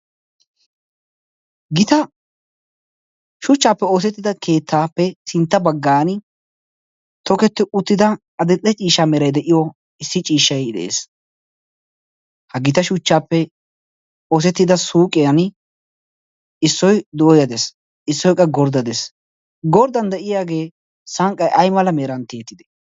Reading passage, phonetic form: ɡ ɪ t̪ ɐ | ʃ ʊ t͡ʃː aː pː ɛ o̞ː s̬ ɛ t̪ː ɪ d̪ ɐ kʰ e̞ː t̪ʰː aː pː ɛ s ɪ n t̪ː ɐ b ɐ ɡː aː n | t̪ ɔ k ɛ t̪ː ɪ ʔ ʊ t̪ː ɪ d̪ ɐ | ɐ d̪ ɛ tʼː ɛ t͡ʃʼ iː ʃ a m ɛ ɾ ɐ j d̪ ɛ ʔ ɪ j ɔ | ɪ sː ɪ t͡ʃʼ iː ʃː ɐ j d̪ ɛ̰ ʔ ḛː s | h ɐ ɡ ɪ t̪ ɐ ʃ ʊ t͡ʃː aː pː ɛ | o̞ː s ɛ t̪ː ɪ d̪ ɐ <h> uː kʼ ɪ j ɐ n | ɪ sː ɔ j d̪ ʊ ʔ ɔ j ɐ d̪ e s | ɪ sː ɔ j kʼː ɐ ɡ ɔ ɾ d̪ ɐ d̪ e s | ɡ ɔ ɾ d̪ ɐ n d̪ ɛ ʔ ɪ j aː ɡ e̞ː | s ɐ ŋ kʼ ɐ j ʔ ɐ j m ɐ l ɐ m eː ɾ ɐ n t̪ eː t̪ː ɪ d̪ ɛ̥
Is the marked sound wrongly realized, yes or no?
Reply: yes